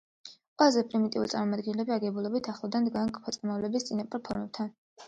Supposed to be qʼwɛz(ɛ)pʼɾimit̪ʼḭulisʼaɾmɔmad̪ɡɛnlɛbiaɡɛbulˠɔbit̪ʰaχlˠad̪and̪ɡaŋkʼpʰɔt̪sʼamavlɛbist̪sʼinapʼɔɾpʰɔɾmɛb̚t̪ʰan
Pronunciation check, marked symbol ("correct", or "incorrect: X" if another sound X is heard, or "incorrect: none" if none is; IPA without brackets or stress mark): correct